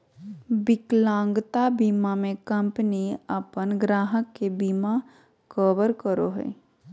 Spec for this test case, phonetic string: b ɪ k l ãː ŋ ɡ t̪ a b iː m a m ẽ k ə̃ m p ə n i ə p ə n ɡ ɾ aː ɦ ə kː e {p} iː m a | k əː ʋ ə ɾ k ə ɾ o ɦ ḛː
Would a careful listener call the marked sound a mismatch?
yes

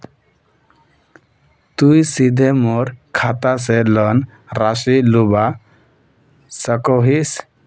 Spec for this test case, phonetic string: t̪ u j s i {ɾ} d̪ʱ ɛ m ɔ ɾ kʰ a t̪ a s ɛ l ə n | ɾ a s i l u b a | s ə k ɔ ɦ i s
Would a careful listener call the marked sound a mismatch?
yes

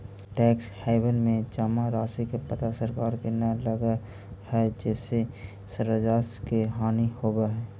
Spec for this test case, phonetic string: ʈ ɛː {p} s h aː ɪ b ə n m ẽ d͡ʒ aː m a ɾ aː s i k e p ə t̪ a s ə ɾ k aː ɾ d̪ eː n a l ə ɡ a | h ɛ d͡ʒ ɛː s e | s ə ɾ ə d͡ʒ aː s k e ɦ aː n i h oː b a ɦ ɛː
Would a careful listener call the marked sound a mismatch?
yes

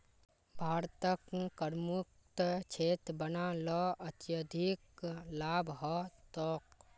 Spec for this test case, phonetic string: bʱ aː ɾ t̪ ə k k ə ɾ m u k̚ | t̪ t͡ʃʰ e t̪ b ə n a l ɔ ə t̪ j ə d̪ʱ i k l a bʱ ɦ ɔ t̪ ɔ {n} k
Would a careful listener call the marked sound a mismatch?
yes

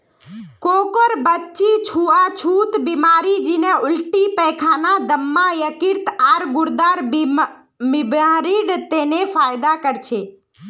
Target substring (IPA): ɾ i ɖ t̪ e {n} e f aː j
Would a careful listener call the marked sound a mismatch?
no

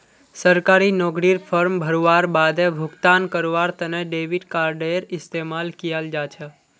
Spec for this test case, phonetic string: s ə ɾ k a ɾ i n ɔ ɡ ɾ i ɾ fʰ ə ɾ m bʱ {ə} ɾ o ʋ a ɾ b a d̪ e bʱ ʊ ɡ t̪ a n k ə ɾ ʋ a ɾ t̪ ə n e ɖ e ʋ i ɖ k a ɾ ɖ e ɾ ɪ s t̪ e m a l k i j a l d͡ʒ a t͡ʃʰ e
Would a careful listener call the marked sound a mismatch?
no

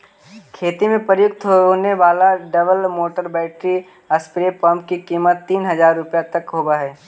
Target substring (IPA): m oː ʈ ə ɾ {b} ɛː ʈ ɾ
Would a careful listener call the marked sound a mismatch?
no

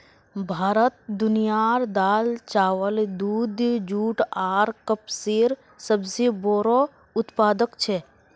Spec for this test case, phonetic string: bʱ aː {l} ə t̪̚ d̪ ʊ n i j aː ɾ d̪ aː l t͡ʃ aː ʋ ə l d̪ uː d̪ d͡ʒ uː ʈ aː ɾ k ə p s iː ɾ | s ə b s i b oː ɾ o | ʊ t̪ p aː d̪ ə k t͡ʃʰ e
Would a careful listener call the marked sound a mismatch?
yes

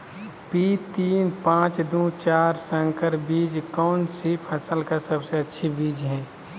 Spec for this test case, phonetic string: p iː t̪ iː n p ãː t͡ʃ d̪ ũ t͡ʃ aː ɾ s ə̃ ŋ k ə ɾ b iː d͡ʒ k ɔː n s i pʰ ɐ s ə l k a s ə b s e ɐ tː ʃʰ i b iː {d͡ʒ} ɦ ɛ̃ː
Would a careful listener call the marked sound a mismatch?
no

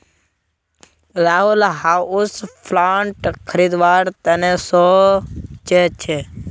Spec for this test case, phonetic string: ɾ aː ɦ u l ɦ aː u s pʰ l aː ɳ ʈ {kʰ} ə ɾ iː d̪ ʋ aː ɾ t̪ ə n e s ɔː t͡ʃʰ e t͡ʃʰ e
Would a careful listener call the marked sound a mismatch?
no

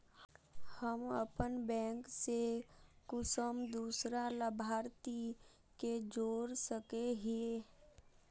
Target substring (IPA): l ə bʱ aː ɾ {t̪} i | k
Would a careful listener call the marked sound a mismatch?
no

